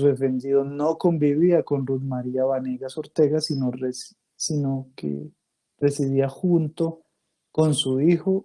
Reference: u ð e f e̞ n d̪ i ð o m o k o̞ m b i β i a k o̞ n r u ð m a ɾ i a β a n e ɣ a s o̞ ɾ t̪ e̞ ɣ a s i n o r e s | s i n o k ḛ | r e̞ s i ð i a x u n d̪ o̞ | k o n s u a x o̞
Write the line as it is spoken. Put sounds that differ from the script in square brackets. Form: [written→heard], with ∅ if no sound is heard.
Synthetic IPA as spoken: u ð e f e̞ n d̪ i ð o [m→n] o k o̞ m b i β i a k o̞ n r u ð m a ɾ i a β a n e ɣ a s o̞ ɾ t̪ e̞ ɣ a s i n o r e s | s i n o k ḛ | r e̞ s i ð i a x u n [d̪→t̪] o̞ | k o n s u [a→i] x o̞

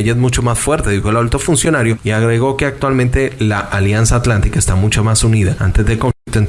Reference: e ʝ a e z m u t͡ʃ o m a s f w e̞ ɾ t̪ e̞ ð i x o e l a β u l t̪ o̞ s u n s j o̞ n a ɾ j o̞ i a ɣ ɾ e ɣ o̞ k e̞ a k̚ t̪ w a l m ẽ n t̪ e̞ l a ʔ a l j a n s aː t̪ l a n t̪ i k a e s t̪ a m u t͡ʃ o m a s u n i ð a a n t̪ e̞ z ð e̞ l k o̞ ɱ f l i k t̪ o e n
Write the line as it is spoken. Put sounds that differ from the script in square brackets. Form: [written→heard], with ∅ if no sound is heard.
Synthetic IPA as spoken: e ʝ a e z m u t͡ʃ o m a s f w e̞ ɾ t̪ e̞ ð i x o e l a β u l t̪ o̞ [s→f] u n s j o̞ n a ɾ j o̞ i a ɣ ɾ e ɣ o̞ k e̞ a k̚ t̪ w a l m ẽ n t̪ e̞ l a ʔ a l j a n s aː t̪ l a n t̪ i k a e s t̪ a m u t͡ʃ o m a s u n i ð a a n t̪ e̞ z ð e̞ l k o̞ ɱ f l i k t̪ o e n

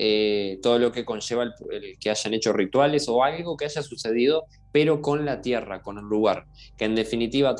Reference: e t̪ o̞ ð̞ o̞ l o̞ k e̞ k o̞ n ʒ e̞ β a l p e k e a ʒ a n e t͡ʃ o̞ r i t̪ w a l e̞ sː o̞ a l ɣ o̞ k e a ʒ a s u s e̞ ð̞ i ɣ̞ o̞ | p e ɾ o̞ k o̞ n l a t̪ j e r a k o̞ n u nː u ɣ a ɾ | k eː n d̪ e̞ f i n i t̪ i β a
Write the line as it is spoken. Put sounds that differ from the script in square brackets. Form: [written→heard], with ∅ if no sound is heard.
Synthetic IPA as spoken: e t̪ o̞ ð̞ o̞ l o̞ k e̞ k o̞ n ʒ e̞ β a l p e k e a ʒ a n e t͡ʃ o̞ r i t̪ w a l e̞ [sː→s] o̞ a l ɣ o̞ k e a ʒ a s u s e̞ ð̞ i [ɣ̞→ð̞] o̞ | p e ɾ o̞ k o̞ n l a t̪ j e r a k o̞ n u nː u ɣ a ɾ | k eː n d̪ e̞ f i n i t̪ i β a

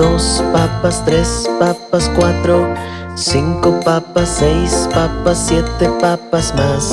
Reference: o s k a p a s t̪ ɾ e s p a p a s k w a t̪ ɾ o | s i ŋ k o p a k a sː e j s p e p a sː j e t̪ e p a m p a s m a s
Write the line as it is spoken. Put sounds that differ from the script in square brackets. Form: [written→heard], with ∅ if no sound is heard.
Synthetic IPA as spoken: o s [k→p] a p a s t̪ ɾ e s p a p a s k w a t̪ ɾ o | s i ŋ k o p a [k→p] a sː e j s p [e→a] p a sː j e t̪ e p a [m→∅] p a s m a s

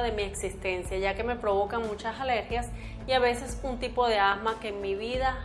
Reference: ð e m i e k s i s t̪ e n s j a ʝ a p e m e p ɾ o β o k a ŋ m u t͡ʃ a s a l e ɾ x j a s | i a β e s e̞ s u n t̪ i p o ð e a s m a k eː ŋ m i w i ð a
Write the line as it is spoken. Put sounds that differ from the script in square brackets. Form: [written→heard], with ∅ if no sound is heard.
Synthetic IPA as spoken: ð e m i e k s i s t̪ e n s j a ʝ a [p→k] e m e p ɾ o β o k a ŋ m u t͡ʃ a s a l e ɾ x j a s | i a β e s e̞ s u n t̪ i p o ð e a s m a k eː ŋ m i [w→β] i ð a

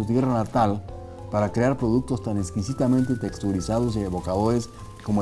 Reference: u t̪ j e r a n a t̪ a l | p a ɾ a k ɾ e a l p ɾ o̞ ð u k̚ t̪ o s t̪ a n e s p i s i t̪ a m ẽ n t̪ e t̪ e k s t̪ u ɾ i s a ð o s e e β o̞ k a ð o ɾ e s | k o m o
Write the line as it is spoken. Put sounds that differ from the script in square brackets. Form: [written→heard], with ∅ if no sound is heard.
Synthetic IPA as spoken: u t̪ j e r a n a t̪ a l | p a ɾ a k ɾ e a [l→ɾ] p ɾ o̞ ð u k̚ t̪ o s t̪ a n e s [p→k] i s i t̪ a m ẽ n t̪ e t̪ e k s t̪ u ɾ i s a ð o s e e β o̞ k a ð o ɾ e s | k o m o

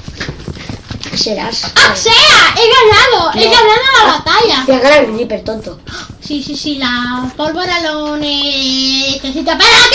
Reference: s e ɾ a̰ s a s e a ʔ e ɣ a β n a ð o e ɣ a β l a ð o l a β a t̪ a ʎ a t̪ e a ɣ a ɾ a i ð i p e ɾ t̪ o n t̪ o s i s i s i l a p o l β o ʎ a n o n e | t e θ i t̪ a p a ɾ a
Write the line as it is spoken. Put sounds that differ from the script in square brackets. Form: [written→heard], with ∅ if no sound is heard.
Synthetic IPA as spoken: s e ɾ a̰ s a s e a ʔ e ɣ a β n a ð o e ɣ a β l a ð o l a β a t̪ a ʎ a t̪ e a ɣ a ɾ a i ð i p e ɾ t̪ o n t̪ o s i s i s i l a p o l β o [ʎ→ɾ] a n o n e | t e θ i t̪ a p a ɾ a

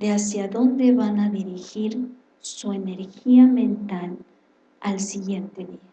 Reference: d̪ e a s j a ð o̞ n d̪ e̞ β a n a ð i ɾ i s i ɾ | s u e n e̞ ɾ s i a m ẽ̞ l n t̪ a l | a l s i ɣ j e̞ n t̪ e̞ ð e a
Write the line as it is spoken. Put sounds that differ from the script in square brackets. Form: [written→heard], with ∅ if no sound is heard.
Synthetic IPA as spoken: d̪ e a s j a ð o̞ n d̪ e̞ β a n a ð i ɾ i [s→x] i ɾ | s u e n e̞ ɾ [s→x] i a m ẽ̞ [l→∅] n t̪ a l | a l s i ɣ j e̞ n t̪ e̞ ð [e→i] a

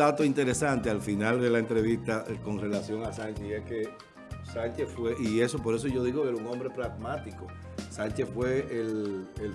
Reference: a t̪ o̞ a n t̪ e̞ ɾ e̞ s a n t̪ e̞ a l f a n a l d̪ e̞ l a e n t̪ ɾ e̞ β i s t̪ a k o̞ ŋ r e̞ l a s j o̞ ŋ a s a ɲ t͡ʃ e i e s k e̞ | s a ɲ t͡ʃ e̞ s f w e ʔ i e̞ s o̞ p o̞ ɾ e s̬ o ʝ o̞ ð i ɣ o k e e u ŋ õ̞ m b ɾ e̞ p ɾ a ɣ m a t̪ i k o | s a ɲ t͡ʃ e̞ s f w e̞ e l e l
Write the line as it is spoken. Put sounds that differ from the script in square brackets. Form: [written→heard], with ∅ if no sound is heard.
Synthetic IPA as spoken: a t̪ o̞ [a→i] n t̪ e̞ ɾ e̞ s a n t̪ e̞ a l f [a→i] n a l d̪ e̞ l a e n t̪ ɾ e̞ β i s t̪ a k o̞ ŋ r e̞ l a s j o̞ ŋ a s a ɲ t͡ʃ e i e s k e̞ | s a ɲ t͡ʃ e̞ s f w e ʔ i e̞ s o̞ p o̞ ɾ e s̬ o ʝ o̞ ð i ɣ o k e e u ŋ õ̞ m b ɾ e̞ p ɾ a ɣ m a t̪ i k o | s a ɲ t͡ʃ e̞ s f w e̞ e l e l

